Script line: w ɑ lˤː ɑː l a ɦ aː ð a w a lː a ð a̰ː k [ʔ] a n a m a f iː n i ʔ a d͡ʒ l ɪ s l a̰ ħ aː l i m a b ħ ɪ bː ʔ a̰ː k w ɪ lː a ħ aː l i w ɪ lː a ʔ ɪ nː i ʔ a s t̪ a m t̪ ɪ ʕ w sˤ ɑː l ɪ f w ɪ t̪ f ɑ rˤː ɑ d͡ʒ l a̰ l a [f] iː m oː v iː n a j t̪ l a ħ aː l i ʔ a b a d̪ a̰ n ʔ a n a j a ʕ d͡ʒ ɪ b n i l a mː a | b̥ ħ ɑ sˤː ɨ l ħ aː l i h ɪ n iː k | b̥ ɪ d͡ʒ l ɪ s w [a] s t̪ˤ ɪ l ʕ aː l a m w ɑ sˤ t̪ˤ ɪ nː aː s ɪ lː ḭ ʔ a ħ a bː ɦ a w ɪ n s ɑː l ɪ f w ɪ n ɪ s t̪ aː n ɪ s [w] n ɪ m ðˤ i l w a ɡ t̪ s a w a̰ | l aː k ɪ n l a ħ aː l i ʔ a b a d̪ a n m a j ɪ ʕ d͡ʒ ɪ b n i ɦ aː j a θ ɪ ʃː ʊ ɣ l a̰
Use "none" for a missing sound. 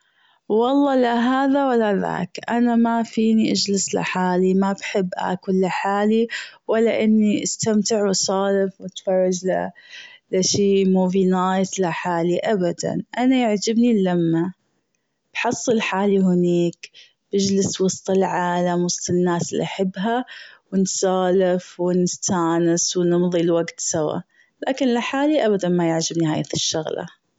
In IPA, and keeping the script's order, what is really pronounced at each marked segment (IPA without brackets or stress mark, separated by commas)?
ʔ, ʃ, ɑ, w